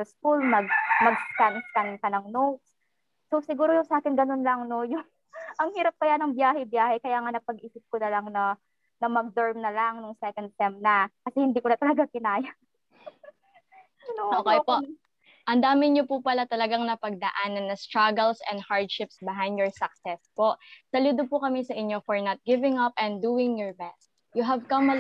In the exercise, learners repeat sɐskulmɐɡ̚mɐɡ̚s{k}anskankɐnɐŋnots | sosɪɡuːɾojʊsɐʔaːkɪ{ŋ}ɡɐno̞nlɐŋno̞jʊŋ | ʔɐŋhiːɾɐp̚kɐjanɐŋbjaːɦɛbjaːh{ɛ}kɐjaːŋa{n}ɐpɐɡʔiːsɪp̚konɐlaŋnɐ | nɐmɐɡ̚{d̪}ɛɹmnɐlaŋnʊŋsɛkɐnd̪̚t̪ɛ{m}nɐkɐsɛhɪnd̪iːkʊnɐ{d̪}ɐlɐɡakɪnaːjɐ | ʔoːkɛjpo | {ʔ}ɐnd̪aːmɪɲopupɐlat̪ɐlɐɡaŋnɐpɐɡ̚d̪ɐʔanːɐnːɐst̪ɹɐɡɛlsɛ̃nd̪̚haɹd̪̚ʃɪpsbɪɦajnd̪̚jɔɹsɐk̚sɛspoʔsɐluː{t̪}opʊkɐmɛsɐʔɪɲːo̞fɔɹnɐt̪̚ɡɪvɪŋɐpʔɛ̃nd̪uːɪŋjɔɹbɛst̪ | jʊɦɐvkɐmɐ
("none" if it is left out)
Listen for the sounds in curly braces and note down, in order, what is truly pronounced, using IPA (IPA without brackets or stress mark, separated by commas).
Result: k, n, ɛ, n, d̪, m, t̪, ʔ, d̪